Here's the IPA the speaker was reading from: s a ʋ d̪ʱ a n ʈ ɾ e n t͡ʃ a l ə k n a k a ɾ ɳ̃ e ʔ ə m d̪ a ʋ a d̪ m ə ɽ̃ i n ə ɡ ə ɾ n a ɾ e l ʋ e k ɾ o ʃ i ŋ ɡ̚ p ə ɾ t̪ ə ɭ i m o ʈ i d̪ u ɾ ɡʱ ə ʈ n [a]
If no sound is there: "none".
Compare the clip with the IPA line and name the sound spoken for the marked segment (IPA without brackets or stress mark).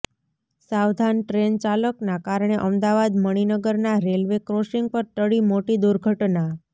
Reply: a